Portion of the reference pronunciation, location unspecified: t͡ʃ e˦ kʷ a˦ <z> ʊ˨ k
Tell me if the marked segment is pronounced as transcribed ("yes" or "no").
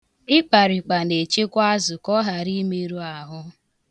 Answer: yes